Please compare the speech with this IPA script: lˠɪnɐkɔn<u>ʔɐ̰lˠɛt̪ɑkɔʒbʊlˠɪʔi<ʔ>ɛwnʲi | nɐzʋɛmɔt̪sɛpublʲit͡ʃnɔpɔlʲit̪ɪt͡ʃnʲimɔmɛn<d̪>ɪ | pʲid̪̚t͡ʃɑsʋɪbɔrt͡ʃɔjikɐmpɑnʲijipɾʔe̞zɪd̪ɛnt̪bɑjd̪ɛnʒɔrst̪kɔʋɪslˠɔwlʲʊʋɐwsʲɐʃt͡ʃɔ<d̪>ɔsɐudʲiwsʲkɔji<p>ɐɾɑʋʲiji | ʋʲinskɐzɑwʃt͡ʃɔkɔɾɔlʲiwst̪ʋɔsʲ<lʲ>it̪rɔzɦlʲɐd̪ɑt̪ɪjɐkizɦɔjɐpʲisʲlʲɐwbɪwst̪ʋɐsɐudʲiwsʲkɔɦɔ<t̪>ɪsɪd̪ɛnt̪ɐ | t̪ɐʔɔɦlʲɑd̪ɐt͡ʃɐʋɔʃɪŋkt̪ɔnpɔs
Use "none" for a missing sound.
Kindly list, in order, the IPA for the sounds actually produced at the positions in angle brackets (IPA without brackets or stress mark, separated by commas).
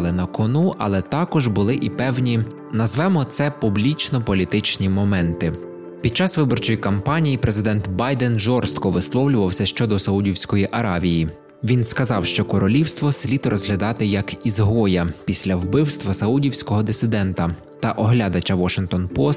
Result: u, p, t̪, d̪, ʔ, lʲ, d̪